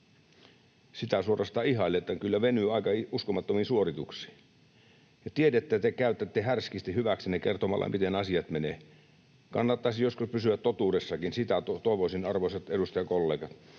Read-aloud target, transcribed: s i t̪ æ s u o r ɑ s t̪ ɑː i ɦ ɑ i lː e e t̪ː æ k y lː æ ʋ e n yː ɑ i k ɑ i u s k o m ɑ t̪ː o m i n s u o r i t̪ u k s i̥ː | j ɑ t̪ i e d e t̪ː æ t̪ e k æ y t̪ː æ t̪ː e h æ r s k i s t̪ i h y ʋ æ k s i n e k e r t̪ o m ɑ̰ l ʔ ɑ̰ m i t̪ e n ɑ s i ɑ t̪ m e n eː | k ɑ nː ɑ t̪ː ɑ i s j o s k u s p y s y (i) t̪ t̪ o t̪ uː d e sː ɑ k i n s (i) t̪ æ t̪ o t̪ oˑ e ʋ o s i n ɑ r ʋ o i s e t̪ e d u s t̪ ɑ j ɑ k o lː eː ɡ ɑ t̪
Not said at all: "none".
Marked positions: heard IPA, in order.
æ, i

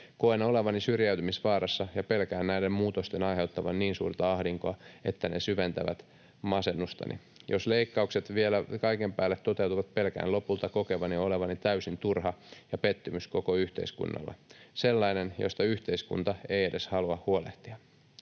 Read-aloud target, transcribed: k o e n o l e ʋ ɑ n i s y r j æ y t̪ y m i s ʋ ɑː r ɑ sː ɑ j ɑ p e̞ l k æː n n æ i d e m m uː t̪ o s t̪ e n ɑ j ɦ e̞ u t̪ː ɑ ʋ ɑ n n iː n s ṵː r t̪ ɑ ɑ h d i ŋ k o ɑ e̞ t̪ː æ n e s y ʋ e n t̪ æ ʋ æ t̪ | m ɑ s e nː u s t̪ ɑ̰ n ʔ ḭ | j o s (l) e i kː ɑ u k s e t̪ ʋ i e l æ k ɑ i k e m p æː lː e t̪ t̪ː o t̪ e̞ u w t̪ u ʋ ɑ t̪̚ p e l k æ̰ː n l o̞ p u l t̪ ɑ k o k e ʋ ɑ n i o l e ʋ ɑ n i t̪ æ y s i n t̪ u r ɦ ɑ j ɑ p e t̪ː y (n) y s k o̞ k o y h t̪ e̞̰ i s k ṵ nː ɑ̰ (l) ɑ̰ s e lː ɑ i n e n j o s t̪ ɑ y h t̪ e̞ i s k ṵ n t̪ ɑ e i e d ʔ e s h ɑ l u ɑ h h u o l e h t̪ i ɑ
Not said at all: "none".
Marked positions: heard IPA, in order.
l, m, lː

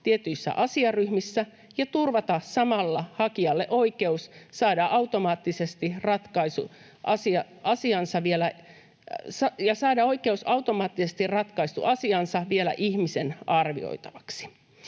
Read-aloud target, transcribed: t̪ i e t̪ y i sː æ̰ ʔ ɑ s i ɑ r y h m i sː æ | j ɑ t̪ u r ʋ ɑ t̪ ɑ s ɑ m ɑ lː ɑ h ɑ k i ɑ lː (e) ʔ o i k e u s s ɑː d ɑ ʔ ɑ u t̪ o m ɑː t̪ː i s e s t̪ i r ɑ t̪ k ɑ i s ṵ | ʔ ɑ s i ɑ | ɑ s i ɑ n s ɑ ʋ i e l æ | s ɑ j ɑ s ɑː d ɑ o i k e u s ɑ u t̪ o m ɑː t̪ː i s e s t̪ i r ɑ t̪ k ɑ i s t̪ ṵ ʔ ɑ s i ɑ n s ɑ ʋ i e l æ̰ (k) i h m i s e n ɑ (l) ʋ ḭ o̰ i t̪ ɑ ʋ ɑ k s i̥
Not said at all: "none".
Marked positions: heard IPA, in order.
e, ʔ, r

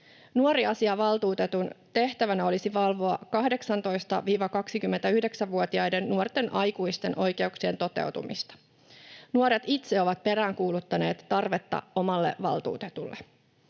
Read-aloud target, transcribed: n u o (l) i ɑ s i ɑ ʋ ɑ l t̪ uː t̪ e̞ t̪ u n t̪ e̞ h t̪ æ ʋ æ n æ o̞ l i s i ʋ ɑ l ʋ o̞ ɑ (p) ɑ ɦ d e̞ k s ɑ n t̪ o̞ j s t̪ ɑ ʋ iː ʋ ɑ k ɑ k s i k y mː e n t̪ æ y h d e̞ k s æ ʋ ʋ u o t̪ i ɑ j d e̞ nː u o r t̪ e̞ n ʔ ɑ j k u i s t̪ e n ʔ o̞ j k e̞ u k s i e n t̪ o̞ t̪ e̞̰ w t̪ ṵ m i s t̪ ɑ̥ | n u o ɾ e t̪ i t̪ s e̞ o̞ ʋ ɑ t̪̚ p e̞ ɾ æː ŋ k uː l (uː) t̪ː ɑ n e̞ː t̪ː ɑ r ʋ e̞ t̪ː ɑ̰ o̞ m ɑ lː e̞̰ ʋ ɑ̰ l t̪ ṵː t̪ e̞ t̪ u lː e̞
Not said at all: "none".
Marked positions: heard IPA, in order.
ɾ, k, u

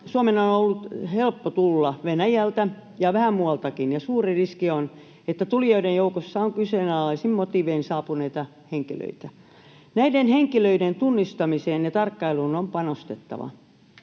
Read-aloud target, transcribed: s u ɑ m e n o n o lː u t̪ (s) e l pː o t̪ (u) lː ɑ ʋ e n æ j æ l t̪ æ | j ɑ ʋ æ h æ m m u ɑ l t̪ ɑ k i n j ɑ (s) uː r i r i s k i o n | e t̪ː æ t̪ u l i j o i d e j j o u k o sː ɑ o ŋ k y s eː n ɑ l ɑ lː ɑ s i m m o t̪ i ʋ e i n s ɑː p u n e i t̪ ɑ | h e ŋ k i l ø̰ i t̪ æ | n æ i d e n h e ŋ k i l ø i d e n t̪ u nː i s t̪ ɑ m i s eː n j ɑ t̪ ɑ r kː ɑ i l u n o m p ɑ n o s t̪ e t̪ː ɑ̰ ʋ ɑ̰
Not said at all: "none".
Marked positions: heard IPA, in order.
h, u, s

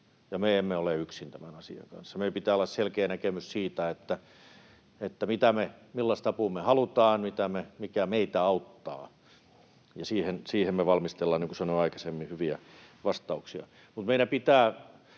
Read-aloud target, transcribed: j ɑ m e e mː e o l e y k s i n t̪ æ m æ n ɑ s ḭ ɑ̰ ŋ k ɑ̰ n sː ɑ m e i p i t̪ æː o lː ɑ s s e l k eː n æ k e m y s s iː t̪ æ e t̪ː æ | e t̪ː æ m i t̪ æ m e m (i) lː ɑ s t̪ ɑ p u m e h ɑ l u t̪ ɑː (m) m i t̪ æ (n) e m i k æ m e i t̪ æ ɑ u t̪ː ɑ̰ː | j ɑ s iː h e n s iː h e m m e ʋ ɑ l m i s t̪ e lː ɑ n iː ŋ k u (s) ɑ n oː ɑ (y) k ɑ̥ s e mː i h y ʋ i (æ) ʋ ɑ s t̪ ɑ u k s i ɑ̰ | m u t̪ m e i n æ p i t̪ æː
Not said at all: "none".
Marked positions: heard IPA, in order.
i, n, m, s, i, æ

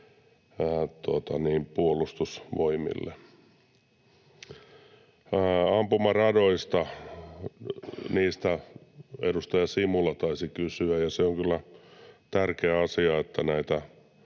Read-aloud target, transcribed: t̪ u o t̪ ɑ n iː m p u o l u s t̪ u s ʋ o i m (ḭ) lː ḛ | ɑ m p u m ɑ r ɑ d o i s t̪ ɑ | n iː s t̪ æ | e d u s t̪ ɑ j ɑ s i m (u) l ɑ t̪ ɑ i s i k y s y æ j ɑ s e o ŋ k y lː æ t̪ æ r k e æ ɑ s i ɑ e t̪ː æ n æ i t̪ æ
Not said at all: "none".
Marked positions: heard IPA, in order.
ḭ, u

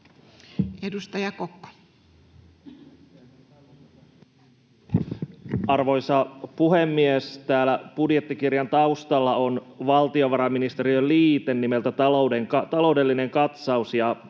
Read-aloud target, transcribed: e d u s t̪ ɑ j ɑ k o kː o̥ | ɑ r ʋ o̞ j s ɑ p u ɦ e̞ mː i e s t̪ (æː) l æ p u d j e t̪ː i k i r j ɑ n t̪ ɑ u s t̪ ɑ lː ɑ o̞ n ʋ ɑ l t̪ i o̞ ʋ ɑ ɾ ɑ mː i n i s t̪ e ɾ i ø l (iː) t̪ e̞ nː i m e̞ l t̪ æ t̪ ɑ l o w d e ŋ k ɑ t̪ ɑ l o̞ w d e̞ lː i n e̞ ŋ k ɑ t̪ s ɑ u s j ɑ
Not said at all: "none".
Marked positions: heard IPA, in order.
æː, iː

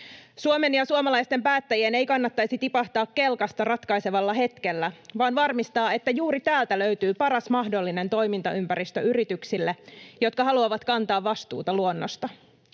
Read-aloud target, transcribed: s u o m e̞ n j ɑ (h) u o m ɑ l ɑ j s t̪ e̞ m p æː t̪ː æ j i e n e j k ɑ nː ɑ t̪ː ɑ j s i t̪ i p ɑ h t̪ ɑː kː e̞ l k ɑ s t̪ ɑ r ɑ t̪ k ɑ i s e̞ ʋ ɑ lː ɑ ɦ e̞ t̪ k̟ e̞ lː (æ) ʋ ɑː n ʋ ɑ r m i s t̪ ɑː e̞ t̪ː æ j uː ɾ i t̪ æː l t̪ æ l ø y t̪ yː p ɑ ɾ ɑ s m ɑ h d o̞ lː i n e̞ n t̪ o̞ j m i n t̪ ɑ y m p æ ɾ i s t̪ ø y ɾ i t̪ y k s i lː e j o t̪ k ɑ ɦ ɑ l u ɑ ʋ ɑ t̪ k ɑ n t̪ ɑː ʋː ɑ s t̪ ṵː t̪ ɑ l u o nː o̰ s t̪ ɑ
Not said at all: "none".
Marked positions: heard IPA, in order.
s, æ

